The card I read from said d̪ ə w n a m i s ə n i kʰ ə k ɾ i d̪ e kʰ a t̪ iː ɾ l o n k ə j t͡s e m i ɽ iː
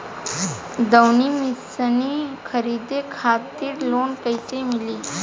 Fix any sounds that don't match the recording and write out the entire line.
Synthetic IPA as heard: d̪ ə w n i m i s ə n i kʰ ə ɾ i d̪ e kʰ a t̪ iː ɾ l o n k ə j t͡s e m i l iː